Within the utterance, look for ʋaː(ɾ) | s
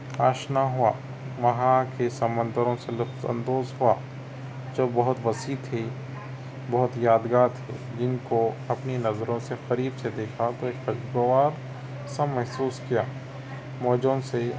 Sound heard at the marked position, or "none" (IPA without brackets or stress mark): ɾ